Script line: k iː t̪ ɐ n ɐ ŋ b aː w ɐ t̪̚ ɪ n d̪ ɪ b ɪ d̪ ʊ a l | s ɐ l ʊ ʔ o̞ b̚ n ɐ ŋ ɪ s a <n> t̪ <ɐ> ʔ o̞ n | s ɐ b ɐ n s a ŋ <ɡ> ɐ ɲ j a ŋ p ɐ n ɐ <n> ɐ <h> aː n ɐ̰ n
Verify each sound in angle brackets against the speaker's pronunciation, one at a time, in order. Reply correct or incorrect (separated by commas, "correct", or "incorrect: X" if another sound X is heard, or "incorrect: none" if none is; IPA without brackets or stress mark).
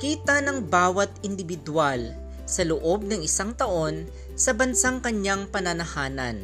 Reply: incorrect: ŋ, correct, incorrect: k, correct, correct